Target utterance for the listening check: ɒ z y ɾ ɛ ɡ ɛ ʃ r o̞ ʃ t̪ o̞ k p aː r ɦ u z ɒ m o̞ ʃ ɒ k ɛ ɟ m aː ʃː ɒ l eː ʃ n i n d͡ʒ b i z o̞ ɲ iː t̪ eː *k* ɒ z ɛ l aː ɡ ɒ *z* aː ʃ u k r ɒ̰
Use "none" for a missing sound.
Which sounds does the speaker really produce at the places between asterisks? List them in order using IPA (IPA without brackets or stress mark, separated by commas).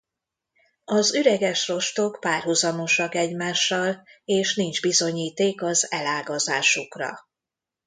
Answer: k, z